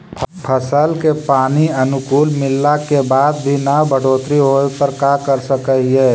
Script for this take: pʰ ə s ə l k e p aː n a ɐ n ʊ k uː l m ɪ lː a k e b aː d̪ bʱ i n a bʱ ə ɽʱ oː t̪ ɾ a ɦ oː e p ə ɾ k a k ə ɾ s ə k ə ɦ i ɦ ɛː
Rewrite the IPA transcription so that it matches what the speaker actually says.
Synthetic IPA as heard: pʰ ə s ə l k e p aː n i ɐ n ʊ k uː l m ɪ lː a k e b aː d̪ bʱ i n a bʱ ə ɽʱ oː t̪ ɾ i ɦ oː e p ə ɾ k a k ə ɾ s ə k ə ɦ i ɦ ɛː